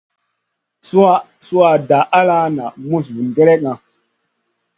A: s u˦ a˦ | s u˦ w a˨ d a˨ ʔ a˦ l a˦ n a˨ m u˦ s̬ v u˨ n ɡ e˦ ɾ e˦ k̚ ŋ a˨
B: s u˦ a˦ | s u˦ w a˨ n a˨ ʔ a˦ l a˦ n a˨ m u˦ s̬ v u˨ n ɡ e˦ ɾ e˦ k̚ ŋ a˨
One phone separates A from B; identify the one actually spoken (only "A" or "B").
A